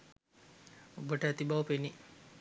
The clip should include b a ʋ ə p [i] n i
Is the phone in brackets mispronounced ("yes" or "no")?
yes